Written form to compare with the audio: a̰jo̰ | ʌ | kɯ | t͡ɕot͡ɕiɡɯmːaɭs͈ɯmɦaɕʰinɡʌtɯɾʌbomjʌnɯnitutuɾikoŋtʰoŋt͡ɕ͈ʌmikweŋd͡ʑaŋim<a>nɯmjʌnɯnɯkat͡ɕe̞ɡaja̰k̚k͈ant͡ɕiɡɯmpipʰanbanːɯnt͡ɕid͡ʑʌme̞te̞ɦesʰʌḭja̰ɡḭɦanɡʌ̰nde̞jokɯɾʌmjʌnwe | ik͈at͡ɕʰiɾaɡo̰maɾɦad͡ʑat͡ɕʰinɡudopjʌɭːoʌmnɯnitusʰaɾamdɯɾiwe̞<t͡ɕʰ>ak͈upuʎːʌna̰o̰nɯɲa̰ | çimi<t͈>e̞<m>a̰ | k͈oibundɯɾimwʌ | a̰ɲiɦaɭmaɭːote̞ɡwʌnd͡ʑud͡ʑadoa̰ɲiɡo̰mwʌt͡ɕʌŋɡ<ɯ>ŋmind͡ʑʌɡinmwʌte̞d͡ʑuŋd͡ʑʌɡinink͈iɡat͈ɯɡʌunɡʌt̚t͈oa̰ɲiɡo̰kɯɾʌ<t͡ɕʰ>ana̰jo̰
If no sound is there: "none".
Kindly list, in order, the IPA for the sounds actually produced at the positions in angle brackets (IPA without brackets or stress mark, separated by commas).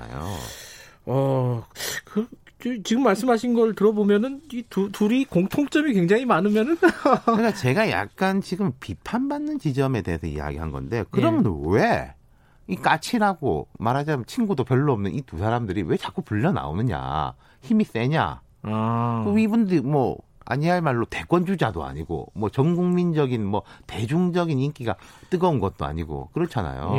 a, t͡ɕ, s͈, ɲ, u, t͡ɕʰ